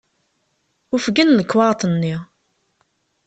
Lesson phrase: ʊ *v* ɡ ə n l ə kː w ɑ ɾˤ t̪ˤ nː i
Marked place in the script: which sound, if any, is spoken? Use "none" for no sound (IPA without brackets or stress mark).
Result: f